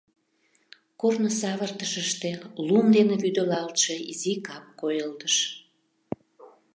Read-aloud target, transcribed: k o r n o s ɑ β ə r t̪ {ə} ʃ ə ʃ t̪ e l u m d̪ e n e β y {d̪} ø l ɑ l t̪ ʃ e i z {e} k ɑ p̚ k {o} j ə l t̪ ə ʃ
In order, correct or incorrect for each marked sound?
correct, correct, incorrect, correct

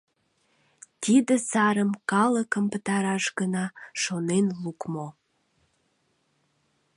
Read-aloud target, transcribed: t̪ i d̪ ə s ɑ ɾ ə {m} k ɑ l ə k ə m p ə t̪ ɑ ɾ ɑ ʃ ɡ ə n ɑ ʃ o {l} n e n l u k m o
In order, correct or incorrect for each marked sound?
correct, incorrect

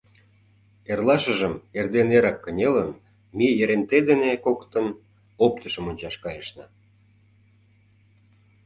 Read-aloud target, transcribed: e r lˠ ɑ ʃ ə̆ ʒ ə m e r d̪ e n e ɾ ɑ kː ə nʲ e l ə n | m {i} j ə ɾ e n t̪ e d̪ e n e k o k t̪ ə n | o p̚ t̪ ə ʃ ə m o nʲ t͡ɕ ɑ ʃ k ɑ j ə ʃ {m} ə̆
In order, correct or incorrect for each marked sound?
correct, incorrect

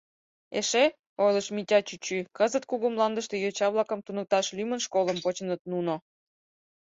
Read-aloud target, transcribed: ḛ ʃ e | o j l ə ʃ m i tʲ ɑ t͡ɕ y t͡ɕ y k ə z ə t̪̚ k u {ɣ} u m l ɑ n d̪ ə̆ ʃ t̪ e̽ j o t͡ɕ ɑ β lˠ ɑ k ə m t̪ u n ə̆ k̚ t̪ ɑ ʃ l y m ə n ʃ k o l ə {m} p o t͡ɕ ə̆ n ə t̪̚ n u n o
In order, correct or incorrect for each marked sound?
correct, correct

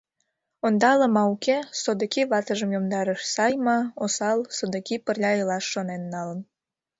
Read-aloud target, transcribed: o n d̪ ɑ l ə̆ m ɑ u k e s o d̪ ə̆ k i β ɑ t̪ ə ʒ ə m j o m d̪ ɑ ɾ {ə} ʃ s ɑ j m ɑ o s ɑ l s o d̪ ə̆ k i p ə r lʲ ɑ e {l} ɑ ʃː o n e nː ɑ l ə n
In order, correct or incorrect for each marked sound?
correct, correct

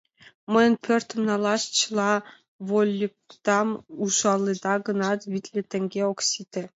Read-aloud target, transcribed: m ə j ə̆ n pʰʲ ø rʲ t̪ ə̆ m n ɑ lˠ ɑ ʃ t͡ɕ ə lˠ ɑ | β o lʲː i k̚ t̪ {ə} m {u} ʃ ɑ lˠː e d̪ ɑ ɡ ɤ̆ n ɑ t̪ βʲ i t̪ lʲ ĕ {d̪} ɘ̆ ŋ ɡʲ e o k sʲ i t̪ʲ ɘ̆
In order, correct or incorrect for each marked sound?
incorrect, correct, incorrect

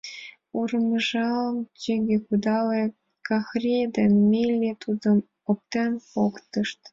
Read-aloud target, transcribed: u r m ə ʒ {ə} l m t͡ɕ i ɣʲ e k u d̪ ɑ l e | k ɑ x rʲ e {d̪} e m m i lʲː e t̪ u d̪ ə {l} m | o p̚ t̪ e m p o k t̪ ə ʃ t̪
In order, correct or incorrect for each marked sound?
incorrect, correct, incorrect

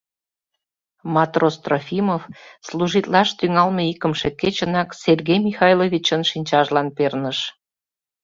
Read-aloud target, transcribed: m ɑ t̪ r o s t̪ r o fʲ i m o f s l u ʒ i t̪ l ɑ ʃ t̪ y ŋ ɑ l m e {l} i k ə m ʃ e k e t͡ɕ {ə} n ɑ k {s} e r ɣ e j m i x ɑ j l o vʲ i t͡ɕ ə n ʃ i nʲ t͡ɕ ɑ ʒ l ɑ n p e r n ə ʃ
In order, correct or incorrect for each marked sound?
incorrect, correct, correct

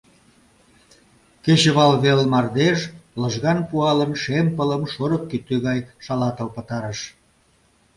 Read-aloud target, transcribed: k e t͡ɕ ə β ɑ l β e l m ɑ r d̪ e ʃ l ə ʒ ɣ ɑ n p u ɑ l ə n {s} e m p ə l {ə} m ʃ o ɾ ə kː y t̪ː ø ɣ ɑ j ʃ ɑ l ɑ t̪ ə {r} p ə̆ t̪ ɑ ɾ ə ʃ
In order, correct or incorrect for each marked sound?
incorrect, correct, incorrect

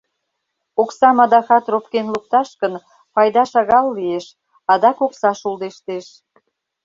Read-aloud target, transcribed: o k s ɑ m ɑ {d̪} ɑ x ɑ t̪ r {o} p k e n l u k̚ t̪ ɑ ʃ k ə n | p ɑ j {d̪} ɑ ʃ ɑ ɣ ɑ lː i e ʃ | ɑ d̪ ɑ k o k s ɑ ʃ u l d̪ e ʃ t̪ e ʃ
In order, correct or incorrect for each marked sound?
correct, correct, correct

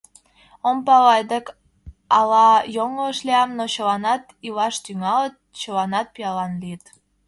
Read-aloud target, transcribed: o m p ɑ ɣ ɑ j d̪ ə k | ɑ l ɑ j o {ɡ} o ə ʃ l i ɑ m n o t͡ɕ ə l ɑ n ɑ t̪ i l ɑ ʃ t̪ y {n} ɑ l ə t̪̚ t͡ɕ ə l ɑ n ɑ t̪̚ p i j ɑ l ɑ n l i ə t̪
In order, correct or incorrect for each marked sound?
incorrect, incorrect

